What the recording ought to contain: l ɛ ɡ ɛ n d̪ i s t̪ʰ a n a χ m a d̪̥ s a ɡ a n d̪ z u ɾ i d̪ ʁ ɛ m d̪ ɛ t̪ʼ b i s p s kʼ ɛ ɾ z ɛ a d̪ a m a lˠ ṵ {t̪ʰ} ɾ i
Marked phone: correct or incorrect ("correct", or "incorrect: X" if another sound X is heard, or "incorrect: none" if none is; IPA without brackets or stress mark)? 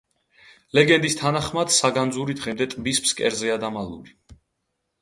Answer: incorrect: none